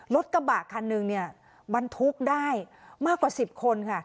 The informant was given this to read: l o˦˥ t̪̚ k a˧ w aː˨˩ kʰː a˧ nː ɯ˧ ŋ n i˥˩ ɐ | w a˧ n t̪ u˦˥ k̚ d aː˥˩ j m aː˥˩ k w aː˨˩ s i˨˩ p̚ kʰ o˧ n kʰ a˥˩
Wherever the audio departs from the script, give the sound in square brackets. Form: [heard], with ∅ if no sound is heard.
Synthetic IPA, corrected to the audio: l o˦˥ t̪̚ k a˧ [b] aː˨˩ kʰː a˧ nː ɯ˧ ŋ n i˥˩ ɐ | [b] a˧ n [t̪ʰ] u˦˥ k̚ d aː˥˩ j m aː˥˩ k w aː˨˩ s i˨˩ p̚ kʰ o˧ n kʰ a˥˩